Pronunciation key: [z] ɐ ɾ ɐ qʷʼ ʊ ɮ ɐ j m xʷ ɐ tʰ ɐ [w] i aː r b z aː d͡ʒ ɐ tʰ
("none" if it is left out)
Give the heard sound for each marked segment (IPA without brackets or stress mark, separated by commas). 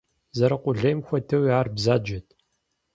z, w